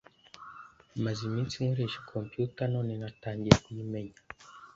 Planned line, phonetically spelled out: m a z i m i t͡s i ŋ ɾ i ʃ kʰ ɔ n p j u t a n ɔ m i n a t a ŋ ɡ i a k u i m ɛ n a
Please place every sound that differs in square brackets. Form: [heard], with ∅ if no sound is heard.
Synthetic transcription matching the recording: m a z i m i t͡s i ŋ ɾ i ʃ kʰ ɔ [m] p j u t a n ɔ [n] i n a t a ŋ ɡ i a k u i m ɛ [ɲ] a